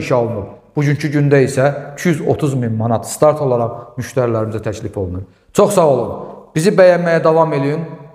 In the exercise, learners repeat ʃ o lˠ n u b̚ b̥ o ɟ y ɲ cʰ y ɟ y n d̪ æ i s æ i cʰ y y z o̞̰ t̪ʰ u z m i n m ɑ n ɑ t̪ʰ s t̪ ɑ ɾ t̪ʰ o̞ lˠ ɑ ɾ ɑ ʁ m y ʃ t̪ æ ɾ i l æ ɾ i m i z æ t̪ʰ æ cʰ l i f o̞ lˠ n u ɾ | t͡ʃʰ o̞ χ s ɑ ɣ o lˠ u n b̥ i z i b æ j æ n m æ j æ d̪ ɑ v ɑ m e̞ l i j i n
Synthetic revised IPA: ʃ o lˠ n u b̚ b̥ u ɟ y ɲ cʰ y ɟ y n d̪ æ i s æ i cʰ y y z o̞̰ t̪ʰ u z m i n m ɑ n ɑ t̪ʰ s t̪ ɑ ɾ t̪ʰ o̞ lˠ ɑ ɾ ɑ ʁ m y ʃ t̪ æ ɾ i l æ ɾ i m i z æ t̪ʰ æ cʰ l i f o̞ lˠ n u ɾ | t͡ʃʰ o̞ χ s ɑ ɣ o lˠ u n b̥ i z i b æ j æ n m æ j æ d̪ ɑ v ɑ m e̞ l i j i n